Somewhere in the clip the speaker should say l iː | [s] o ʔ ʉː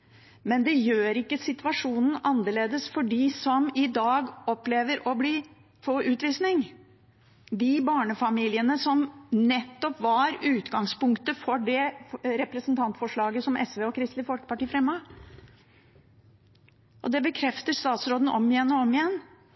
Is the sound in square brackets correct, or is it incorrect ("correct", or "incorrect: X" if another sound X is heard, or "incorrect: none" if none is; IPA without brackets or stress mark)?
incorrect: f